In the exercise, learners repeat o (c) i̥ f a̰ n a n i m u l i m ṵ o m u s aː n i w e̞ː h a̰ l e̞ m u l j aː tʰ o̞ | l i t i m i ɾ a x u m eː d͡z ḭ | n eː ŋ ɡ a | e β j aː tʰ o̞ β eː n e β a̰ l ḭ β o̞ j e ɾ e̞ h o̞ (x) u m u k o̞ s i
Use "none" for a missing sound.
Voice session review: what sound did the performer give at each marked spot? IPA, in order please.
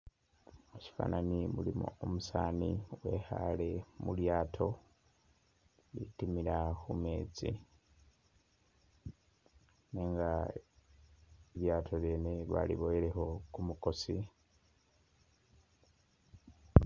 c, k

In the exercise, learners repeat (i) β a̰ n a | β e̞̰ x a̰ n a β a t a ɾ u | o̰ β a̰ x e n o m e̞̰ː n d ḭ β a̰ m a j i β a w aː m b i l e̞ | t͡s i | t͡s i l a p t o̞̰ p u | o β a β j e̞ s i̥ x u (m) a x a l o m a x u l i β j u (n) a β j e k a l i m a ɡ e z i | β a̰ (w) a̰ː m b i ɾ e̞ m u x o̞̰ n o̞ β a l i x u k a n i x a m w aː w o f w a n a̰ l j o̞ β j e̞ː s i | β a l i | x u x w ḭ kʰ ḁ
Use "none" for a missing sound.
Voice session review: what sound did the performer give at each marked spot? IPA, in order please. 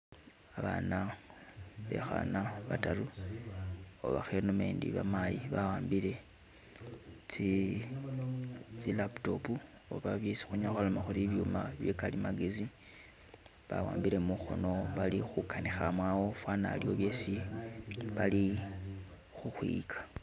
a, ɲ, m, w

